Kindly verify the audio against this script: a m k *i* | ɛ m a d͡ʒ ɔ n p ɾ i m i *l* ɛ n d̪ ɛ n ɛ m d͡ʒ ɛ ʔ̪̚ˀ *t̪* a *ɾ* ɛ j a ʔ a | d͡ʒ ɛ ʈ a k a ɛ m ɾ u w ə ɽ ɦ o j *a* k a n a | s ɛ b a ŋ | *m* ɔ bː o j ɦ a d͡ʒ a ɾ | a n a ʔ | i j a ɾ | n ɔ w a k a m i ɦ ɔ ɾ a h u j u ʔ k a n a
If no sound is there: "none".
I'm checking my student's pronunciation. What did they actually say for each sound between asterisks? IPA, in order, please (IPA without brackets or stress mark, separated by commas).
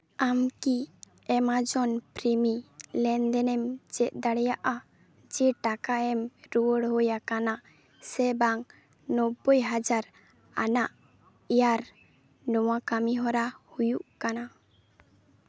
i, l, d̪, ɽ, a, n